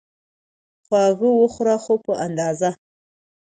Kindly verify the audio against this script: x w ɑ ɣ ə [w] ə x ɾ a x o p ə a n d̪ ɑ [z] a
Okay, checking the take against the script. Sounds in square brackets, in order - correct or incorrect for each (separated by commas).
correct, correct